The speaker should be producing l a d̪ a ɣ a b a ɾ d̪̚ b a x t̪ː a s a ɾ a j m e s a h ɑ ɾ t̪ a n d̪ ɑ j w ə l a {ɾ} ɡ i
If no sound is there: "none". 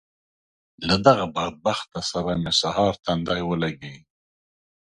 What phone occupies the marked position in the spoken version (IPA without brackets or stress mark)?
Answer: none